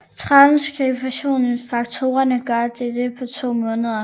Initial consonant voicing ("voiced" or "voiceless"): voiceless